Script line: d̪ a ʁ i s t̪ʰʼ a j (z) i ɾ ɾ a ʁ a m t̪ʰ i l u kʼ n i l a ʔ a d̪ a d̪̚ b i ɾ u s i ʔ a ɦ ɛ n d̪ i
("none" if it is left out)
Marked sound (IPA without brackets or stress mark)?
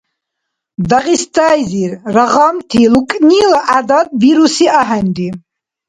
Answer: z